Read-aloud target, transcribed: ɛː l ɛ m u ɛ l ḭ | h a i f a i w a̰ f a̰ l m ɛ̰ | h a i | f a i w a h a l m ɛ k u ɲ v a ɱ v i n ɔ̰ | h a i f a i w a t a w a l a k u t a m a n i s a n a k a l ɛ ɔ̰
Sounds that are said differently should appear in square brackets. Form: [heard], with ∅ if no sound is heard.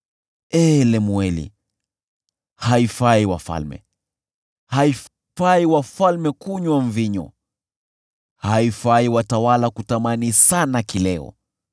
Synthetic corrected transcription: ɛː l ɛ m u ɛ l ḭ | h a i f a i w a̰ f a̰ l m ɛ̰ | h a i | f a i w a [f] a l m ɛ k u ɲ [w] a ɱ v i [ɲ] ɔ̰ | h a i f a i w a t a w a l a k u t a m a n i s a n a k [i] l ɛ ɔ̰